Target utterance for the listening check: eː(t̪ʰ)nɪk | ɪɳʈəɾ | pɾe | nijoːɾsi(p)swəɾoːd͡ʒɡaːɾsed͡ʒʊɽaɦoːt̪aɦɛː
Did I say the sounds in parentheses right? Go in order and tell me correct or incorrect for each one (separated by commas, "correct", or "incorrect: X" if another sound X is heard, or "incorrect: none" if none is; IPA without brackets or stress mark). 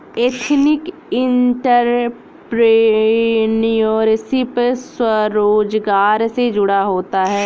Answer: correct, correct